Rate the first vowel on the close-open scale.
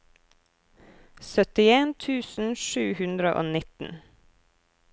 mid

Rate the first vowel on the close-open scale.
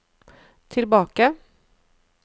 close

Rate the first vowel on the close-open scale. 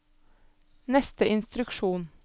mid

